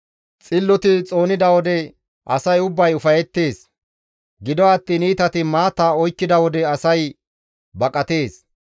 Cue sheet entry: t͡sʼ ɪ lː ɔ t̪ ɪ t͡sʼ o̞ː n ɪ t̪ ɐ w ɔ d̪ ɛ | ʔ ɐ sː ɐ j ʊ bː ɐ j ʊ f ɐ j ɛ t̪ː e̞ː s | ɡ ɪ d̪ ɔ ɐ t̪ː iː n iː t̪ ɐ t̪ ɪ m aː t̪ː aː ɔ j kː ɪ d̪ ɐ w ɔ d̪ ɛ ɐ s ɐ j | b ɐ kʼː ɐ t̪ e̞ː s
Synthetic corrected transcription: t͡sʼ ɪ lː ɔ t̪ ɪ t͡sʼ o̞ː n ɪ d̪ ɐ w ɔ d̪ ɛ | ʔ ɐ s ɐ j ʊ bː ɐ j ʊ f ɐ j ɛ t̪ː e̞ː s | ɡ ɪ d̪ ɔ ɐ t̪ː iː n iː t̪ ɐ t̪ ɪ m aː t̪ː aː ɔ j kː ɪ d̪ ɐ w ɔ d̪ ɛ ɐ s ɐ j | b ɐ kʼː ɐ t̪ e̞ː s